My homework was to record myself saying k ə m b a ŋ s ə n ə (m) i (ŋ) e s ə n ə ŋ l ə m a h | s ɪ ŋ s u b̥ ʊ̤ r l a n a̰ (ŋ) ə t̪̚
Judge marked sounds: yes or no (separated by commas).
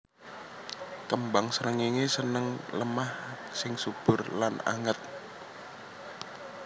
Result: no, yes, yes